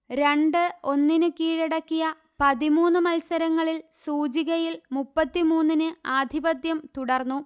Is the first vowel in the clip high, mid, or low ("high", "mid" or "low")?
mid